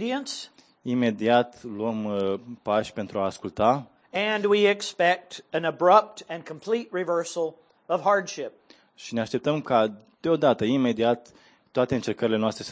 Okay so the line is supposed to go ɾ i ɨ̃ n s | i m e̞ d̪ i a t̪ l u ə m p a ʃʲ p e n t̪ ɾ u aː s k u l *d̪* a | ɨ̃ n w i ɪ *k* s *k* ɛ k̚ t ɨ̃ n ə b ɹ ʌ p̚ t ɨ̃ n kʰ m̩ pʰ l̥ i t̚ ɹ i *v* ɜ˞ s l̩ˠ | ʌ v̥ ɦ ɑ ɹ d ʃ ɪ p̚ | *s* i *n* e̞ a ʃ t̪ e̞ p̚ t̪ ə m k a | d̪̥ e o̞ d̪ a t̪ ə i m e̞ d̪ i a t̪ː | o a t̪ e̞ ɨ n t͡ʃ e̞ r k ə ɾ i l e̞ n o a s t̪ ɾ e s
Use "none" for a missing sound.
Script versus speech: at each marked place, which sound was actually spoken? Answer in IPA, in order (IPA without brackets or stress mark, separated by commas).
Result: t̪, k, p, v, ʃ, n